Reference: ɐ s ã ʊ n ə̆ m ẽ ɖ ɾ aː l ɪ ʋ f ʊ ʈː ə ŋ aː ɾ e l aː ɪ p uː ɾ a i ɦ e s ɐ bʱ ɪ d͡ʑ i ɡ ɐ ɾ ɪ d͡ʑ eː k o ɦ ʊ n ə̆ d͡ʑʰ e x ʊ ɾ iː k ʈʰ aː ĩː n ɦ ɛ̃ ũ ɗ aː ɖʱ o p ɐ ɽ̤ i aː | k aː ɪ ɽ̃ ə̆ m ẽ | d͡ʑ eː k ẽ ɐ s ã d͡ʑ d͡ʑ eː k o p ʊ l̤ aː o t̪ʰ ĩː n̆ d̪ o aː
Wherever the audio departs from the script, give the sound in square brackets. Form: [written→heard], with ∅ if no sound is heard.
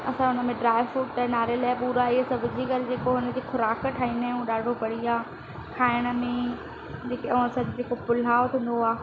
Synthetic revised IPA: ɐ s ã ʊ n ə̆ m ẽ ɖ ɾ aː [l→∅] ɪ ʋ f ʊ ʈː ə [ŋ→n] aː ɾ e l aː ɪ p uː ɾ a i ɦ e s ɐ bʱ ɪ d͡ʑ i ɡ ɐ ɾ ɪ d͡ʑ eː k o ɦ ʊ n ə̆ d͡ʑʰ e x ʊ ɾ [iː→aː] k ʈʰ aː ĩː n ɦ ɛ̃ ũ ɗ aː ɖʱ o p ɐ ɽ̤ i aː | [k→kʰ] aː ɪ ɽ̃ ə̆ m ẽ | d͡ʑ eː k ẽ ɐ s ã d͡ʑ d͡ʑ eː k o p ʊ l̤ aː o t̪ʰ ĩː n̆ d̪ o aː